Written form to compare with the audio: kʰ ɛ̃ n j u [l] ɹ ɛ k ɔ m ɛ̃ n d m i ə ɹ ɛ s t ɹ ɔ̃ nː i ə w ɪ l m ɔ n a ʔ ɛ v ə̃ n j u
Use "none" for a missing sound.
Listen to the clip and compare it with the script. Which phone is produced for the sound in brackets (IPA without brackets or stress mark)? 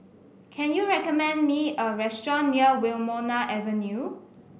none